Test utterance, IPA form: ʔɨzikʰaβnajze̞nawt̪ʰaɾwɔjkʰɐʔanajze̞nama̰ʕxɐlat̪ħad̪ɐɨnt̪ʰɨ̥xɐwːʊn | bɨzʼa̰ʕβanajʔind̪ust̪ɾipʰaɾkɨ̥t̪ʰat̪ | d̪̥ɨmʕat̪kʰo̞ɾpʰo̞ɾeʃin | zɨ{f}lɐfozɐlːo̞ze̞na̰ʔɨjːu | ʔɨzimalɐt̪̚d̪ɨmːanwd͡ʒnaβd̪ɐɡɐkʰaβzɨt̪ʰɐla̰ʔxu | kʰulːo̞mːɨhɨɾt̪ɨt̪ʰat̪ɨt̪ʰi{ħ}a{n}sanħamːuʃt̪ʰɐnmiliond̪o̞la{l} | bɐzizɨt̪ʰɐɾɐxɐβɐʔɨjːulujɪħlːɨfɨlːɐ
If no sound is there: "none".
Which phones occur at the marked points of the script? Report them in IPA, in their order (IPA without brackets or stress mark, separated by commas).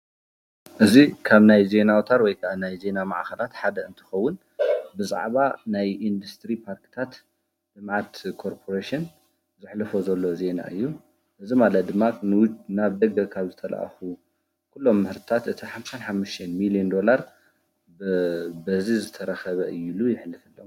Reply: ħ, ħ, m, ɾ